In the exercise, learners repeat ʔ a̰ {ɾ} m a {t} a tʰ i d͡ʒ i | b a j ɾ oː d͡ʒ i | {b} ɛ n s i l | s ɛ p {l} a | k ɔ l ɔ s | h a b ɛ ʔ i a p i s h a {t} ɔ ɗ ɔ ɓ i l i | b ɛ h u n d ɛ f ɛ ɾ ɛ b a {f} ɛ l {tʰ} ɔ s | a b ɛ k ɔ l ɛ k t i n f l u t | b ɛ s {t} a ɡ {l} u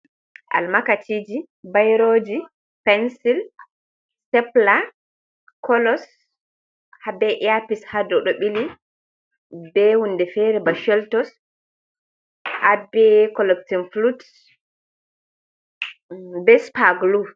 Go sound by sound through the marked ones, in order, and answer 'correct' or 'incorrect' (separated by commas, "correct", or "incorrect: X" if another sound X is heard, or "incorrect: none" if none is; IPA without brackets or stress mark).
incorrect: l, incorrect: k, incorrect: p, correct, incorrect: d, incorrect: ʃ, incorrect: t, incorrect: p, correct